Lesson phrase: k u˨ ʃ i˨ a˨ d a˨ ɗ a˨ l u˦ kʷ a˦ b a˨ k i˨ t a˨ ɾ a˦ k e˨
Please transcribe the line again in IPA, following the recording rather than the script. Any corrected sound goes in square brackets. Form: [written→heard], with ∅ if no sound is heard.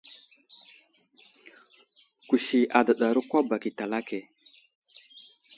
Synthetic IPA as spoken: k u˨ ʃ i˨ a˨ d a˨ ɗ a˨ [l→ɾ] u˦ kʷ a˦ b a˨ k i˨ t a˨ [ɾ→l] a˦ k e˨